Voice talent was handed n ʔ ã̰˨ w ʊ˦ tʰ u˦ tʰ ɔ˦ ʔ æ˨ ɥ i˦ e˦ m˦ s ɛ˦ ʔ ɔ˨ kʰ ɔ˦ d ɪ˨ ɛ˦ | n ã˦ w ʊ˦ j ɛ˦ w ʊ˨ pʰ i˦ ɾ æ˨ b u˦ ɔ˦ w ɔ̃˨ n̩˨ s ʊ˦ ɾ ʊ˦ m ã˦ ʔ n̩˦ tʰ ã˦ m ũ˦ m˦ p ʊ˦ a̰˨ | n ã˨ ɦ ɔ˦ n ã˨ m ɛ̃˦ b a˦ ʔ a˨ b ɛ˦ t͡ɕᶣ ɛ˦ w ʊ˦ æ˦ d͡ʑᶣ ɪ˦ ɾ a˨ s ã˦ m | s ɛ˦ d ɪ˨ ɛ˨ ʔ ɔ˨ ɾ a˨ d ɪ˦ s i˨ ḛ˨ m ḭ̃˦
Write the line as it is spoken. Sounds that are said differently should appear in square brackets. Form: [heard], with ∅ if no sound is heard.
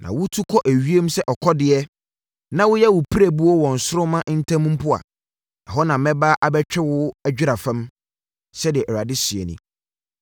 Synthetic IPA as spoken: n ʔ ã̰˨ w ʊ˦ tʰ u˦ [kʰ] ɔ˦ ʔ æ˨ ɥ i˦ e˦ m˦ s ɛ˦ ʔ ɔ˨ kʰ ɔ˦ d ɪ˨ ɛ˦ | n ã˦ w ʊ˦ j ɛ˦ w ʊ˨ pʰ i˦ ɾ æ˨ b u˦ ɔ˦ w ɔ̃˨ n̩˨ s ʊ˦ ɾ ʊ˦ m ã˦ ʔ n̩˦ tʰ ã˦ m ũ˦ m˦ p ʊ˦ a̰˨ | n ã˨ ɦ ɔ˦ n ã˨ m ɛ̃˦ b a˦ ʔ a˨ b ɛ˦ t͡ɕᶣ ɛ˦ w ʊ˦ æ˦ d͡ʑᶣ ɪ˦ ɾ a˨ [f] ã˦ m | s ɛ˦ d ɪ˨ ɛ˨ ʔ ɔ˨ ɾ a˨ d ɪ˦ s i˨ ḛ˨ [n] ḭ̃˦